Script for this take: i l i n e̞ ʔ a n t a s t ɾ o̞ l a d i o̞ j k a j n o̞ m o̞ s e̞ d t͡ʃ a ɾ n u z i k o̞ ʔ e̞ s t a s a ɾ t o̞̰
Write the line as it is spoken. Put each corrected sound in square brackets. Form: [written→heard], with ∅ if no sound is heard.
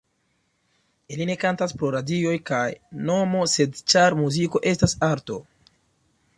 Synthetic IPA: i l i n e̞ [ʔ→k] a n t a s [t→p] ɾ o̞ [l→ɾ] a d i o̞ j k a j n o̞ m o̞ s e̞ d t͡ʃ a ɾ [n→m] u z i k o̞ ʔ e̞ s t a s a ɾ t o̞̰